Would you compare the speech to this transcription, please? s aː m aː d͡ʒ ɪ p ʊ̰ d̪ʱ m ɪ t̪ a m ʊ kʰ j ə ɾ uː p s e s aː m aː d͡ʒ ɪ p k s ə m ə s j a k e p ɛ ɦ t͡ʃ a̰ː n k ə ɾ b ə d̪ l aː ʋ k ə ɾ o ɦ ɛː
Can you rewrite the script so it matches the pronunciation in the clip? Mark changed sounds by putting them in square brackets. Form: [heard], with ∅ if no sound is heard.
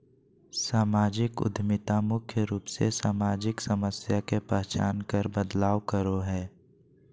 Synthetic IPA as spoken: s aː m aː d͡ʒ ɪ [k] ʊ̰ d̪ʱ m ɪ t̪ a m ʊ kʰ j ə ɾ uː p s e s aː m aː d͡ʒ ɪ [∅] k s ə m ə s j a k e p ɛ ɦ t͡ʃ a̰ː n k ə ɾ b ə d̪ l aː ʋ k ə ɾ o ɦ ɛː